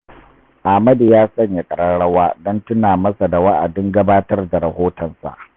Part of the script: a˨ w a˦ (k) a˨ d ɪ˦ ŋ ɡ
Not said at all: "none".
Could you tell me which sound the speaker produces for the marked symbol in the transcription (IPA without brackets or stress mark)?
ʔ